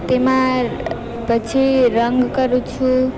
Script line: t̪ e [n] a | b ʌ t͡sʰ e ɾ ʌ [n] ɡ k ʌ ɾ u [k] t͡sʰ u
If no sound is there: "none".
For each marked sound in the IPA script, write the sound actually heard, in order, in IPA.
m, ŋ, none

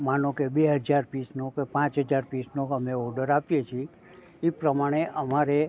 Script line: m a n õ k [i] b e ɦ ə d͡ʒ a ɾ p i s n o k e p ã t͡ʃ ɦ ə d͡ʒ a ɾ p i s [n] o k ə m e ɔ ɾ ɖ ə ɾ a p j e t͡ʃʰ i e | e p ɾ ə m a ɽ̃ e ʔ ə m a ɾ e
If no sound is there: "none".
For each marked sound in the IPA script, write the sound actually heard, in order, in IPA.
e, n

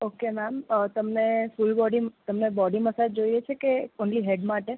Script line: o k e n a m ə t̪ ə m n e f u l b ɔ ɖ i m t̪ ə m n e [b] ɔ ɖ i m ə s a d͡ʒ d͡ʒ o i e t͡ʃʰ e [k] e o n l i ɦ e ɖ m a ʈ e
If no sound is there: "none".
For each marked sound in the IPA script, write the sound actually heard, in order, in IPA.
b, k

